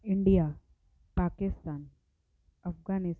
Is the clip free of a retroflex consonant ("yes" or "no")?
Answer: no